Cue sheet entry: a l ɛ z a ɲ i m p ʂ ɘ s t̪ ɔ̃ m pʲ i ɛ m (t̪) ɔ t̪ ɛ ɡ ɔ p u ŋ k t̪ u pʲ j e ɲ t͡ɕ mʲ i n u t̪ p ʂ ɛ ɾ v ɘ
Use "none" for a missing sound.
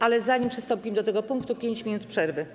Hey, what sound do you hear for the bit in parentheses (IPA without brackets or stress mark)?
d̪